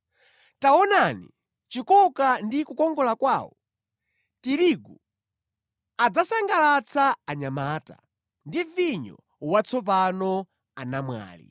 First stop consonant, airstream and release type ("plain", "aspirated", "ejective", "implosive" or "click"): plain